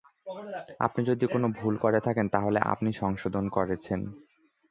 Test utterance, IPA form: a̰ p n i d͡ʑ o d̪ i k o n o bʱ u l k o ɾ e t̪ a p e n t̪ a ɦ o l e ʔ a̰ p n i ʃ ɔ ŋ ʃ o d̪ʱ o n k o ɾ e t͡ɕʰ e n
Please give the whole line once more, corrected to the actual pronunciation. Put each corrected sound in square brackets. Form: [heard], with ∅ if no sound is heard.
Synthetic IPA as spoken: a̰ p n i d͡ʑ o d̪ i k o n o bʱ u l k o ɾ e [t̪ʰ] a [k] e n t̪ a ɦ o l e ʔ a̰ p n i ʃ ɔ ŋ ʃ o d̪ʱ o n k o ɾ e t͡ɕʰ e n